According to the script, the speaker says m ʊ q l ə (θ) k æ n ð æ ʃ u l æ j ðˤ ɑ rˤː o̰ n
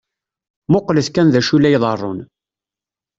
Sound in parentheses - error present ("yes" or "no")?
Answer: no